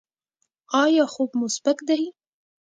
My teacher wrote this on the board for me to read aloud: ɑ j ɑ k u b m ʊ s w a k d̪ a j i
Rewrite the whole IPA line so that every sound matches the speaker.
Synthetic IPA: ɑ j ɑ x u b m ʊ s b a k d̪ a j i